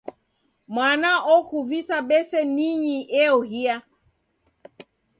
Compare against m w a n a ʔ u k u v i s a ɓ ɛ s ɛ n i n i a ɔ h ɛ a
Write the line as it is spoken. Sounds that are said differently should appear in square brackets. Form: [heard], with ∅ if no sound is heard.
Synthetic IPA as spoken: m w a n a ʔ [ɔ] k u v i s a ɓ ɛ s ɛ n i [ɲ] i [ɛ] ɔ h [i] a